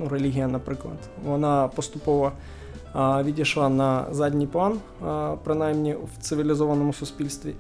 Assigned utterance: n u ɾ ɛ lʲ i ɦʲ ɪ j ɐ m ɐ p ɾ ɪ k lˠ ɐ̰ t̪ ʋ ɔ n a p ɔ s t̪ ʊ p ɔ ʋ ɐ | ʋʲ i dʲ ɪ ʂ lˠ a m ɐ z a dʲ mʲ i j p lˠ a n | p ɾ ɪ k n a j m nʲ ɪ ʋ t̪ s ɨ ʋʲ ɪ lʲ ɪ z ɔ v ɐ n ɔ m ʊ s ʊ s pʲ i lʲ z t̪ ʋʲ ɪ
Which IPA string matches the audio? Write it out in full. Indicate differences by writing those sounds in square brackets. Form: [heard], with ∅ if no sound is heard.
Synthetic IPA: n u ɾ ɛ lʲ i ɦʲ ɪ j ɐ [n] ɐ p ɾ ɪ k lˠ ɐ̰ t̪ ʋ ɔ n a p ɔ s t̪ ʊ p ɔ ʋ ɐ | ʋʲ i dʲ ɪ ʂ lˠ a [n] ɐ z a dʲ [nʲ] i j p lˠ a n | p ɾ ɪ [∅] n a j m nʲ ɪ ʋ t̪ s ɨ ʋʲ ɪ lʲ ɪ z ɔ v ɐ n ɔ m ʊ s ʊ s pʲ i lʲ [s] t̪ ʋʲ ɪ